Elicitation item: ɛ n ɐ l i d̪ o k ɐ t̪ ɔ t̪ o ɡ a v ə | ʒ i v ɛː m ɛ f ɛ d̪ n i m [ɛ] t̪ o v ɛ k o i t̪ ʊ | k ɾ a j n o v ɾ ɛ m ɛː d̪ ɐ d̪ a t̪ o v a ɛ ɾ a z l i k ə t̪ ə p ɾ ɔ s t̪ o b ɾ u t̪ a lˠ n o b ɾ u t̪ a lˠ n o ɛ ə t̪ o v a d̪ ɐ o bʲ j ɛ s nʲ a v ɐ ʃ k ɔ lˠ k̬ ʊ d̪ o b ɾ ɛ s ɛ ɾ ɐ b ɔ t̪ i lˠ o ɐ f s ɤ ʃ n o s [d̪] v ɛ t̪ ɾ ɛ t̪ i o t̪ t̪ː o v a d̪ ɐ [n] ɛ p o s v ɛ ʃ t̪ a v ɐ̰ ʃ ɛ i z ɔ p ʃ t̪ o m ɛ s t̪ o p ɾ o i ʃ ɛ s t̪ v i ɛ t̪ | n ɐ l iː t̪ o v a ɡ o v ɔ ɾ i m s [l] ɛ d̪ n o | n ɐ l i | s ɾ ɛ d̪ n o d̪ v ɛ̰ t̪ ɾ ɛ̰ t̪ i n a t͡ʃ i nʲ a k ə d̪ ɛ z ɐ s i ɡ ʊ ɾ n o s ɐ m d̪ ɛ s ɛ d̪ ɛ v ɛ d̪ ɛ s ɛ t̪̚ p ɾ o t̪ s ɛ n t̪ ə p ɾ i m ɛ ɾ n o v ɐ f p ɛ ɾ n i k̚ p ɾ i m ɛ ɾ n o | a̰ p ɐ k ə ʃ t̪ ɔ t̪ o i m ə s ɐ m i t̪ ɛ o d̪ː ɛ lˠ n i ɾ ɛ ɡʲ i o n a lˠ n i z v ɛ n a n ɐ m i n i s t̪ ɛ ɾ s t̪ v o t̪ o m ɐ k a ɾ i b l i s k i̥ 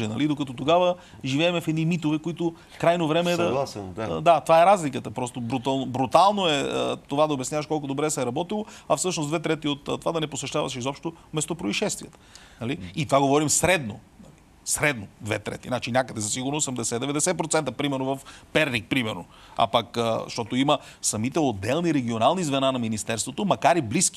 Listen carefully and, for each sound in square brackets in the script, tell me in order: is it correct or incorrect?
incorrect: i, correct, correct, incorrect: ɾ

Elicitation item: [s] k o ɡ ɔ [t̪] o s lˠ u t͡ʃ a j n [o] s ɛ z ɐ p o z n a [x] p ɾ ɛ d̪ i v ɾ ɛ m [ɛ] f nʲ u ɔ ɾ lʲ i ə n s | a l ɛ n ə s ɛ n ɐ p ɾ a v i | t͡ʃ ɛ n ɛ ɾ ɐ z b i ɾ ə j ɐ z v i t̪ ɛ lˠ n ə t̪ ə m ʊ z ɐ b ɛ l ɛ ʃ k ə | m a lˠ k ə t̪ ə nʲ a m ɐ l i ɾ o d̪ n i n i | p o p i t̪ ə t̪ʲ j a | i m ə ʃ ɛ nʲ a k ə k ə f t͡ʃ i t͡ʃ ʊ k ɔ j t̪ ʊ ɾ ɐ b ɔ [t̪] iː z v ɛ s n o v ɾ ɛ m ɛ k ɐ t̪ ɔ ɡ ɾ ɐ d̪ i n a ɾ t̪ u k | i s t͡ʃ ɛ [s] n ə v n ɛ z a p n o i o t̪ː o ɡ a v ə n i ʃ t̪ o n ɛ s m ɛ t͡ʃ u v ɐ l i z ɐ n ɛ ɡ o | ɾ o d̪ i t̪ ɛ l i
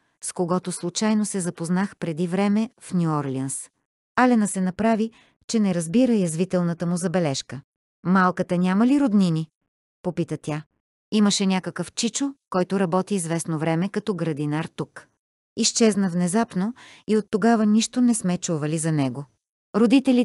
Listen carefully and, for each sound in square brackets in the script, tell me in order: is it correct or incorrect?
correct, correct, correct, correct, correct, correct, incorrect: z

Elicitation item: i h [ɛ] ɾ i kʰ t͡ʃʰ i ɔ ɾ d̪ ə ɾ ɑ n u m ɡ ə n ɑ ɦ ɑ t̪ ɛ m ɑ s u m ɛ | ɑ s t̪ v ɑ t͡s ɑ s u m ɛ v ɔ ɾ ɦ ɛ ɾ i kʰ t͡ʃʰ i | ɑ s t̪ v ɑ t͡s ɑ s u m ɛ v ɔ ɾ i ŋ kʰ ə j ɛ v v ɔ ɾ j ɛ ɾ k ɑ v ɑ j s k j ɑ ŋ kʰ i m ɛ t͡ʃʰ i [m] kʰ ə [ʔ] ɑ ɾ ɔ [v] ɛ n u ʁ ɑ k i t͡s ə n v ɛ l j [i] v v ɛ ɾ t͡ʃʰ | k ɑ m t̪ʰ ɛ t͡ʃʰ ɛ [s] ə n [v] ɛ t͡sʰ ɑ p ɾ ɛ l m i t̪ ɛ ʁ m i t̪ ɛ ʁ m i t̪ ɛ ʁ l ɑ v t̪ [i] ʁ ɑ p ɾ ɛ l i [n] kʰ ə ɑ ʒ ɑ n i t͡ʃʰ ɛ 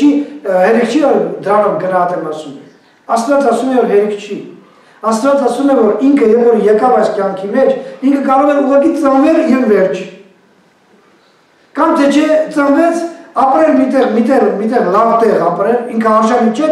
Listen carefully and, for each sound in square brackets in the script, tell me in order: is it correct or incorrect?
correct, incorrect: ŋ, incorrect: k, incorrect: ʁ, incorrect: ɛ, incorrect: t͡s, correct, incorrect: ɛ, incorrect: ŋ

